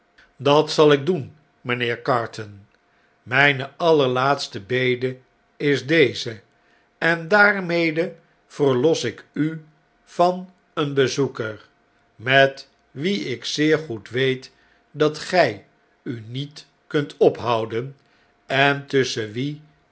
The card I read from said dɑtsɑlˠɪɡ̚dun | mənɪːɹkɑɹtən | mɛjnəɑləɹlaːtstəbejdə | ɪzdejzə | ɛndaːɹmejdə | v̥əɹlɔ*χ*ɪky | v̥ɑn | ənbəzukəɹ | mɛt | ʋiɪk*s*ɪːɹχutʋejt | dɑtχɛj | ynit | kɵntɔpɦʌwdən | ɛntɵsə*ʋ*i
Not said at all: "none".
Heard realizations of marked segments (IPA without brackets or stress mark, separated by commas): s, s, ʋ